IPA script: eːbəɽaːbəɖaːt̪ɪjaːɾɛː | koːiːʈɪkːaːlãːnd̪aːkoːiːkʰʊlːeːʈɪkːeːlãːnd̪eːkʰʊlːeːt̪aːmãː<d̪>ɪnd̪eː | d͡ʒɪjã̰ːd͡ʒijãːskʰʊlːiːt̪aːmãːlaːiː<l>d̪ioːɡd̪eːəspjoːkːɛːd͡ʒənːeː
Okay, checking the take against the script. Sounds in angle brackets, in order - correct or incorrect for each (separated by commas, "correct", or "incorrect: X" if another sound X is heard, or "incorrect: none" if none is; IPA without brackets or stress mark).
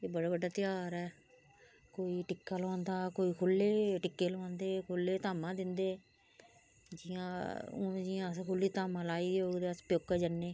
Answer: correct, incorrect: none